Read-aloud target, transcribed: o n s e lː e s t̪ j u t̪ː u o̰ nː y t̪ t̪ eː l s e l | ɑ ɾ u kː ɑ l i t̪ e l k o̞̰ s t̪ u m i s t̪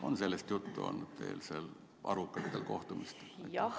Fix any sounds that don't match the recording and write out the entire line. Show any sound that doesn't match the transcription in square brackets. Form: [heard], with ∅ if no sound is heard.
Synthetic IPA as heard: o n s e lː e s t̪ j u t̪ː u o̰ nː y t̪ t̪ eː l s e l | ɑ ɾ u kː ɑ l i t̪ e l k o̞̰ [h] t̪ u m i s t̪

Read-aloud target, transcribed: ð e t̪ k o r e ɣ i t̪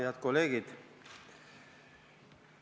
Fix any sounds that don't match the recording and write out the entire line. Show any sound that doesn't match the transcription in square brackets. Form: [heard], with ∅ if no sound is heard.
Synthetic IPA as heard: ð [a] t̪ k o [l] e ɣ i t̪

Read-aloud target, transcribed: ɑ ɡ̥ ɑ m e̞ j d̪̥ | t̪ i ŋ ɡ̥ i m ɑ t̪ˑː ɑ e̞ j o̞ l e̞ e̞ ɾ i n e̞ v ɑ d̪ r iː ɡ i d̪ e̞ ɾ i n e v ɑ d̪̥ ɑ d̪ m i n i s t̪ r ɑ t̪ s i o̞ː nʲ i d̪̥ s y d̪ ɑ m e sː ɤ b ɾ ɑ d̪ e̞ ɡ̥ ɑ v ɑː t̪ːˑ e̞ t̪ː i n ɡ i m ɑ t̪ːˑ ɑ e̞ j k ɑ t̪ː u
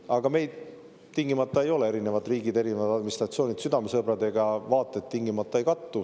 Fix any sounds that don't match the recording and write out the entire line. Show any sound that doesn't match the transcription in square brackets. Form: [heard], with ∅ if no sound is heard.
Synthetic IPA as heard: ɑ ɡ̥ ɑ m e̞ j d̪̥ | t̪ i ŋ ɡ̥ i m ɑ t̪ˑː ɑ e̞ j o̞ l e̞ e̞ ɾ i n e̞ v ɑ d̪ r iː ɡ i d̪ e̞ ɾ i n e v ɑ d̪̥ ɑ d̪ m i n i s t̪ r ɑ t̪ s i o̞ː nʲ i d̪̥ s y d̪ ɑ m e [s] ɤ b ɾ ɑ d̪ e̞ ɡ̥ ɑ v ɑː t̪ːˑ e̞ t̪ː i [ŋ] ɡ i m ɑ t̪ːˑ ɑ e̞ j k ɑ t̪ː u

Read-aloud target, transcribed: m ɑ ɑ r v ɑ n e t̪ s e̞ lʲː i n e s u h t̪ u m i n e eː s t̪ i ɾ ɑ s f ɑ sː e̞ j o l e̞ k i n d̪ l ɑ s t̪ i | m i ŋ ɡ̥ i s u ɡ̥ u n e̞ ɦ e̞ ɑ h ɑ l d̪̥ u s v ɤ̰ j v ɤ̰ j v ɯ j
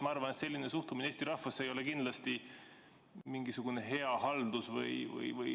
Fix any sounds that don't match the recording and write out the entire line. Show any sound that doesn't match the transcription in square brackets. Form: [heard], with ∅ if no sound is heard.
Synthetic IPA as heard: m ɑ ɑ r v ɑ n e t̪ s e̞ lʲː i n e s u h t̪ u m i n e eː s t̪ i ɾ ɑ [h] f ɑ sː e̞ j o l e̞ k i n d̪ l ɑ s t̪ i | m i ŋ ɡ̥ i s u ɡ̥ u n e̞ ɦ e̞ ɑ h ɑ l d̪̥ u s v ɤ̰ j v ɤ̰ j v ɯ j

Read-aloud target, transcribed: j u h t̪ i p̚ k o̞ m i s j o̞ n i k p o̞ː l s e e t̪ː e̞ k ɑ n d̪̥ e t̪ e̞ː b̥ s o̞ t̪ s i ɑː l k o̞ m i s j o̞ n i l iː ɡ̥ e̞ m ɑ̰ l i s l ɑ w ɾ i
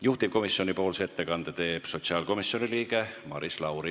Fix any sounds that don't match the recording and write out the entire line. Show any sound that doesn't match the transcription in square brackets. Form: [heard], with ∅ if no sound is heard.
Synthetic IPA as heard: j u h t̪ i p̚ k o̞ m i s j o̞ n i [∅] p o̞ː l s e e t̪ː e̞ k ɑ n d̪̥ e t̪ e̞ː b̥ s o̞ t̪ s i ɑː l k o̞ m i s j o̞ n i l iː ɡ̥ e̞ m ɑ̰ [ɾ] i s l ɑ w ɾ i

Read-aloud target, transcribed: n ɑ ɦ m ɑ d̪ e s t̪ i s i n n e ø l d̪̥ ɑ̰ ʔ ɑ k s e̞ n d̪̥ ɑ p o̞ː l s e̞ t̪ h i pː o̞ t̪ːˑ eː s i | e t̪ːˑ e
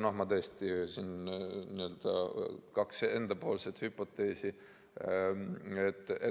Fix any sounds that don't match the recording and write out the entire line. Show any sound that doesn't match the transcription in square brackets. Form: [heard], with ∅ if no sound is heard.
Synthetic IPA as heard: n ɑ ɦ m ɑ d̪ e s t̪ i s i n n [i] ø l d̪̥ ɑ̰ [k] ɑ k s e̞ n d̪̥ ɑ p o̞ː l s e̞ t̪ h [y] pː o̞ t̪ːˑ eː s i | e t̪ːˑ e

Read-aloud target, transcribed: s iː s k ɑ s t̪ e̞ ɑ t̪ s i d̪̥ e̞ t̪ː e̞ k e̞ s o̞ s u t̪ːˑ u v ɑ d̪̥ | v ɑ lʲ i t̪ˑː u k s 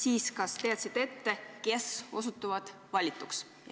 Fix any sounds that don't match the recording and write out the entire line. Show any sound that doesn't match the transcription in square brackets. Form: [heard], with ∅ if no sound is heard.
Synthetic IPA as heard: s iː s k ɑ s t̪ e̞ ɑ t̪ s i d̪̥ e̞ t̪ː e̞ k e̞ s o̞ s u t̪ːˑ u v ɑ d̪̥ | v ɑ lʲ i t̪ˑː u k s

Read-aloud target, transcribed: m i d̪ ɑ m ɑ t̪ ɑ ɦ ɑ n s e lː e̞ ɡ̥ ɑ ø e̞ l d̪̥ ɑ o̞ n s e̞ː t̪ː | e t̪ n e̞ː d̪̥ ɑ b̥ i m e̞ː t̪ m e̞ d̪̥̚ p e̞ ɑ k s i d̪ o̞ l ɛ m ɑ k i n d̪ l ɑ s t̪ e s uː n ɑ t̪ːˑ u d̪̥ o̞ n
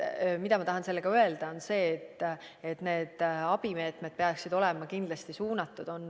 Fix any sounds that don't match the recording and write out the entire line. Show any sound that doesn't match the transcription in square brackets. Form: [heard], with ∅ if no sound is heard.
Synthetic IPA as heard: m i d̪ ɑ m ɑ t̪ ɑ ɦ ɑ n s e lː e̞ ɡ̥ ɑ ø e̞ l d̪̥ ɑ o̞ n s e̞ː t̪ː | e t̪ n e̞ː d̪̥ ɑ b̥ i m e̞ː t̪ m e̞ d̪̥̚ p e̞ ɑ k s i d̪ o̞ l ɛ m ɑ k i n d̪ l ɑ s t̪ [i] s uː n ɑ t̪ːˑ u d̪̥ o̞ n

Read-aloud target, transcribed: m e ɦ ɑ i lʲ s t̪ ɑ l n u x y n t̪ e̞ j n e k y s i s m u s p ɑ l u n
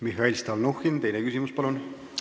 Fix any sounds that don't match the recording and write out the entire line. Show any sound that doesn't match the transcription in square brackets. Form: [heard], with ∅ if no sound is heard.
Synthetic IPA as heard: m [i] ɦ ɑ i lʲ s t̪ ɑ l n u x [i] n t̪ e̞ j n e k y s i [∅] m u s p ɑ l u n

